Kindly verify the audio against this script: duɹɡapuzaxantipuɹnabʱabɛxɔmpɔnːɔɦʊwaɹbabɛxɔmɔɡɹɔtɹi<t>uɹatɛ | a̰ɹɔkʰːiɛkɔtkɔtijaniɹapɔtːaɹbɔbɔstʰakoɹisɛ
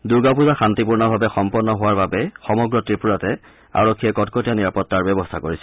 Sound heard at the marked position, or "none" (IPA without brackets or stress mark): p